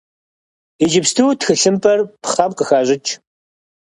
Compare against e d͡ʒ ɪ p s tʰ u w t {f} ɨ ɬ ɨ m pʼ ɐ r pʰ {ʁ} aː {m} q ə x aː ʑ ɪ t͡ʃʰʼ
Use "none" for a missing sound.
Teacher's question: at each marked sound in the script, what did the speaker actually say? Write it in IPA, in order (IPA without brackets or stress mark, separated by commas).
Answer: x, χ, m